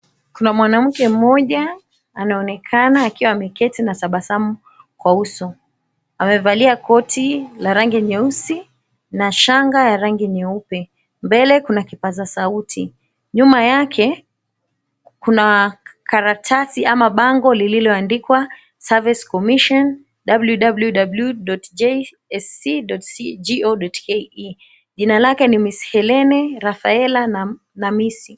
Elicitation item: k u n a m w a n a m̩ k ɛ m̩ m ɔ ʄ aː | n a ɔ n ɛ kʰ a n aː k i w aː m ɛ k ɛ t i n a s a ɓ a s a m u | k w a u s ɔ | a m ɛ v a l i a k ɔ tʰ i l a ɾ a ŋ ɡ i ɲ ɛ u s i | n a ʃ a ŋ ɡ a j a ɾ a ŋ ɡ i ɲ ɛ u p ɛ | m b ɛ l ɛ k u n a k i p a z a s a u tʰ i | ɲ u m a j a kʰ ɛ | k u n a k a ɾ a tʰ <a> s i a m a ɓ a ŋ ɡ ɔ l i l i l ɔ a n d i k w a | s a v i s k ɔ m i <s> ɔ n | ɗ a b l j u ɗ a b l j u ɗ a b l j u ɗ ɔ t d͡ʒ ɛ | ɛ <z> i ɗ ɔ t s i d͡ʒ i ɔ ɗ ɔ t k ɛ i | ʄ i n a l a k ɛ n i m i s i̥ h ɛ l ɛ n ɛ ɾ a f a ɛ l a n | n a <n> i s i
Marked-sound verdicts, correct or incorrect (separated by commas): correct, incorrect, incorrect, incorrect